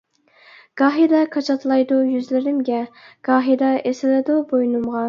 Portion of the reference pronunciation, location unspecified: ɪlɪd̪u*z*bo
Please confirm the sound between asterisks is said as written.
no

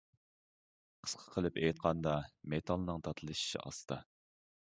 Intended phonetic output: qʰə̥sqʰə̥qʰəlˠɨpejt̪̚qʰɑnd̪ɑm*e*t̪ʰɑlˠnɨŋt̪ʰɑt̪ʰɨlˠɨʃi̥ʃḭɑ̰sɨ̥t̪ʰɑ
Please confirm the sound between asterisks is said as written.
yes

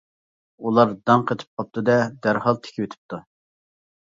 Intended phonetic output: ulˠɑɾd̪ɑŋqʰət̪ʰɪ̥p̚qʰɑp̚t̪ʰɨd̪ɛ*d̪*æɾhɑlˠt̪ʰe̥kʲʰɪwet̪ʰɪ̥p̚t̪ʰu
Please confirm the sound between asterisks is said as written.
yes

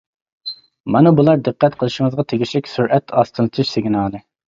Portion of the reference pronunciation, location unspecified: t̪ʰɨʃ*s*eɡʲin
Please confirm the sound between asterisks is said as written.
yes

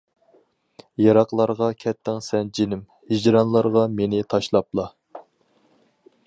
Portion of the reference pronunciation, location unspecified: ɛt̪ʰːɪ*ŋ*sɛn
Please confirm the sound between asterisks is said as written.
yes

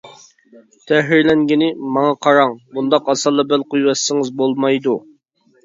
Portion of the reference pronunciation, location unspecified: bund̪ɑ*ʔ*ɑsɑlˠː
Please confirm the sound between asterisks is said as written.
no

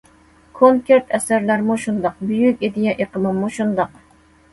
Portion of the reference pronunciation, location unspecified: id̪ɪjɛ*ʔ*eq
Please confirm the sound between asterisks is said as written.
yes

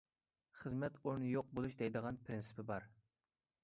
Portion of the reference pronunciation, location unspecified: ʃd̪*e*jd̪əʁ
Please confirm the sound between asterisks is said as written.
no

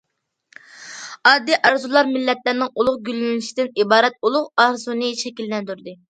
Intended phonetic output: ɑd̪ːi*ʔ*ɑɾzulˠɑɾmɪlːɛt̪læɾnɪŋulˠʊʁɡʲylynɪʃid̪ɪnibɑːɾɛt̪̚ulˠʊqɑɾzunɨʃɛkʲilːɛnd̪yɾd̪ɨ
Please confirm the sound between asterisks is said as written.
yes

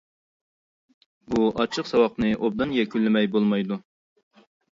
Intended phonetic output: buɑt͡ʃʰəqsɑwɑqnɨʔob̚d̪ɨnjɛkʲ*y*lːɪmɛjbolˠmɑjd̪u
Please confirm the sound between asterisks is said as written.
yes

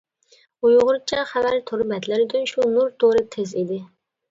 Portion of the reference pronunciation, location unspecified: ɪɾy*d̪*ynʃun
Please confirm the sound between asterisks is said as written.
yes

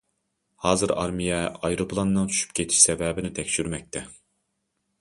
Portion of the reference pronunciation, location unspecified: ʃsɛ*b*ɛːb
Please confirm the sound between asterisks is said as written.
no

